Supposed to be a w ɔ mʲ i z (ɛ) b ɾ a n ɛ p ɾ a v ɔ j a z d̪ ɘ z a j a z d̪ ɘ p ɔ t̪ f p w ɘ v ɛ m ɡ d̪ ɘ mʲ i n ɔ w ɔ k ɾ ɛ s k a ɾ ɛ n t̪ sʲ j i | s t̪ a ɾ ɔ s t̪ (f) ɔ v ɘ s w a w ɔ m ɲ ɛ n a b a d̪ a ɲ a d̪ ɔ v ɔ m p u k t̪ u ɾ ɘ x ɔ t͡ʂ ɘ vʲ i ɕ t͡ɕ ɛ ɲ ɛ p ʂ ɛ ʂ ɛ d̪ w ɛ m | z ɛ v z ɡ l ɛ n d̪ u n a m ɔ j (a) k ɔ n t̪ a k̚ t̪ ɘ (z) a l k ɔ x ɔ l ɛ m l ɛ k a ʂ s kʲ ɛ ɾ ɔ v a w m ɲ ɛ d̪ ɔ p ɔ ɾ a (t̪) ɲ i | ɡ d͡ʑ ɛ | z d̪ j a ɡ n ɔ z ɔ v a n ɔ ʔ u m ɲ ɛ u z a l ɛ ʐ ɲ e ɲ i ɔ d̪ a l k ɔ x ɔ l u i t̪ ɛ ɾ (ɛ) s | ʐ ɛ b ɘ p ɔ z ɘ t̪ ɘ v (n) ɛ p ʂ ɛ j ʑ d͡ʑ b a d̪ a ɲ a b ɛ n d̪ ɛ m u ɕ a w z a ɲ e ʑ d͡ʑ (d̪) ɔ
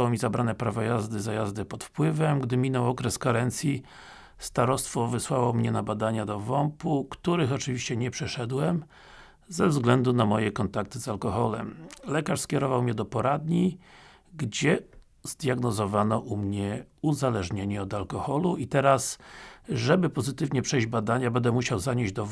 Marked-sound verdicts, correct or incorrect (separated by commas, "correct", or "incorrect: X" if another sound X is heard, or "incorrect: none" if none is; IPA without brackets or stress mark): incorrect: a, correct, incorrect: ɛ, correct, incorrect: d̪, incorrect: a, incorrect: ɲ, correct